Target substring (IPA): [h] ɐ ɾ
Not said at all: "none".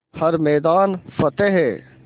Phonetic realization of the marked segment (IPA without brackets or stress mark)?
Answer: h